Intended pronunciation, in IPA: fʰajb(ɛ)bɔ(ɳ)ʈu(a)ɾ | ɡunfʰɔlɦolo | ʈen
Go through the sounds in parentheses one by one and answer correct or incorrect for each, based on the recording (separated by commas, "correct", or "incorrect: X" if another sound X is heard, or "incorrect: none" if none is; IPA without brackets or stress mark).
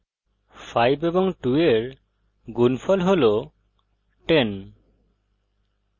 incorrect: e, incorrect: ŋ, incorrect: e